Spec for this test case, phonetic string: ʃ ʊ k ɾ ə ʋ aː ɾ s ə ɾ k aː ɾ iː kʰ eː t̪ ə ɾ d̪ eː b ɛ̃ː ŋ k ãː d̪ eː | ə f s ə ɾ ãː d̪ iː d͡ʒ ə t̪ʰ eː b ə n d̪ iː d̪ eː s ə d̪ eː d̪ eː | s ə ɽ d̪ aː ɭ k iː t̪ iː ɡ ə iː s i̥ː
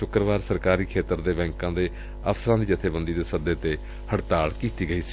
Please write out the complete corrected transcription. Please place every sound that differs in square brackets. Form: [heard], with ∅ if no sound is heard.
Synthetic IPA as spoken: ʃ ʊ k ɾ ə ʋ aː ɾ s ə ɾ k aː ɾ iː kʰ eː t̪ ə ɾ d̪ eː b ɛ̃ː ŋ k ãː d̪ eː | ə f s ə ɾ ãː d̪ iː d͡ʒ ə t̪ʰ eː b ə n d̪ iː d̪ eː s ə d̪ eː [t̪] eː | [h] ə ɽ [t̪] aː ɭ k iː t̪ iː ɡ ə iː s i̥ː